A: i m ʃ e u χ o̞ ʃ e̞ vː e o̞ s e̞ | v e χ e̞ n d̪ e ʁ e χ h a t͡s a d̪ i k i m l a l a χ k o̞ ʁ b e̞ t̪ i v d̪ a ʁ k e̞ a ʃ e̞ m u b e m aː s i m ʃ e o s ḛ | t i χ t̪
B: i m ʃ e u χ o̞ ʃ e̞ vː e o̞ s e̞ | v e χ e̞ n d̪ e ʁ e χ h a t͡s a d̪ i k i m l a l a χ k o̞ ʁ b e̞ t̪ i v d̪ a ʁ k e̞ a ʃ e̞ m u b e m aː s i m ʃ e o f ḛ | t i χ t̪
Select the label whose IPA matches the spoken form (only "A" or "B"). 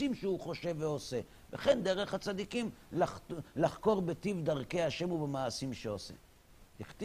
A